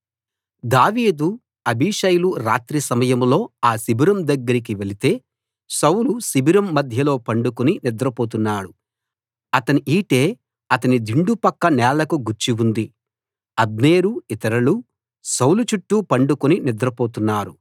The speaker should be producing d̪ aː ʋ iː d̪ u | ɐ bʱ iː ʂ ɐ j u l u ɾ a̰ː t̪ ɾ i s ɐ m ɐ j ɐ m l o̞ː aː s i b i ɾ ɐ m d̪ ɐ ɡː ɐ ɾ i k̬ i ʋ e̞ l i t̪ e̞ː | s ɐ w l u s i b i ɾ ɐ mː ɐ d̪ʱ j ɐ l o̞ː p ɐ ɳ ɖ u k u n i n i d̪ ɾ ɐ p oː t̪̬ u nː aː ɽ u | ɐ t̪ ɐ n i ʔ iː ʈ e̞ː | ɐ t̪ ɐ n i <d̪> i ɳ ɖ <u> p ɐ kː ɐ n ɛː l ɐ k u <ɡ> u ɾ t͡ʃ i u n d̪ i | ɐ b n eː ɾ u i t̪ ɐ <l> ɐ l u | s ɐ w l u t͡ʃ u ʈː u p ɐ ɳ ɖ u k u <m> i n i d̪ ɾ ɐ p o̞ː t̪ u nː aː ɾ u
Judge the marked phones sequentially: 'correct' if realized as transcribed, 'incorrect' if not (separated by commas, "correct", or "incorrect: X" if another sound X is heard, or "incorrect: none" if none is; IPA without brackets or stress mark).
correct, correct, correct, incorrect: ɾ, incorrect: n